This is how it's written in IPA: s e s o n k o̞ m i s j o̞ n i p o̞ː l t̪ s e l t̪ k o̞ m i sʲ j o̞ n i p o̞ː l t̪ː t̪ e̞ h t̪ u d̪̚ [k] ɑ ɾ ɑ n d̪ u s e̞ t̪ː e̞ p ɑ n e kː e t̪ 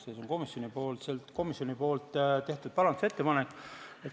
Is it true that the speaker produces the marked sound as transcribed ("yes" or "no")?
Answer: no